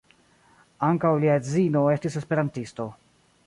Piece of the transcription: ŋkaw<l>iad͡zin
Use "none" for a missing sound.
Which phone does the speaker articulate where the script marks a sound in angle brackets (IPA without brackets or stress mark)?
l